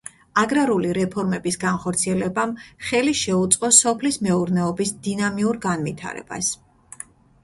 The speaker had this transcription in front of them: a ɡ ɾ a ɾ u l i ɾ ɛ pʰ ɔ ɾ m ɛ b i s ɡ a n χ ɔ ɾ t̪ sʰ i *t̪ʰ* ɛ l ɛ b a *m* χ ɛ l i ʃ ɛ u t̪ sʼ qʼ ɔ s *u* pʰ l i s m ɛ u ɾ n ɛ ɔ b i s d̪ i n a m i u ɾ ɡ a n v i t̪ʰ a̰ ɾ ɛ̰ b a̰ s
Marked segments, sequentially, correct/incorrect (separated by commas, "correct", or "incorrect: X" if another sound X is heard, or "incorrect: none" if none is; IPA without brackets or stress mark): incorrect: none, correct, incorrect: ɔ